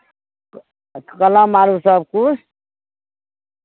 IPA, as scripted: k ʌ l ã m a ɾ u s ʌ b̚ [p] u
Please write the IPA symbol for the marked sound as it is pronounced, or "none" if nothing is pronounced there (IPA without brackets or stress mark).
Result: k